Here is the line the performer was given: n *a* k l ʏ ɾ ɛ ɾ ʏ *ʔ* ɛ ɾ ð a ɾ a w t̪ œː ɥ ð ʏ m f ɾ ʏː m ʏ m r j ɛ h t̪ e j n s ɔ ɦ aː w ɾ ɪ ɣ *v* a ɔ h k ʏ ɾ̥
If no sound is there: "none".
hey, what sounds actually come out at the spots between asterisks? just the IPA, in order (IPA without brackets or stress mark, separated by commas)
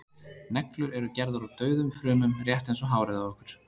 ɛ, c, ð